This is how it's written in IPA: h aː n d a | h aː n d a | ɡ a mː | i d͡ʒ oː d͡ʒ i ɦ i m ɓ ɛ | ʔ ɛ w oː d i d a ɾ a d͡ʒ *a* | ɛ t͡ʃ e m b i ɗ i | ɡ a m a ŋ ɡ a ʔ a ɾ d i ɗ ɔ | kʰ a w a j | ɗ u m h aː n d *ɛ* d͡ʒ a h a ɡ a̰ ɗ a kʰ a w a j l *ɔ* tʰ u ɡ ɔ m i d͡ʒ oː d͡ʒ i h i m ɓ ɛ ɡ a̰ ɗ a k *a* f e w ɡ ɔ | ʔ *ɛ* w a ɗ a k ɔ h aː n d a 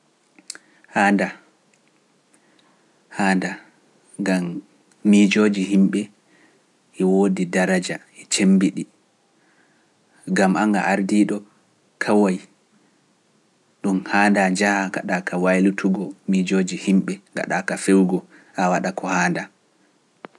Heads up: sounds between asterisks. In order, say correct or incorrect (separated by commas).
correct, incorrect, incorrect, correct, incorrect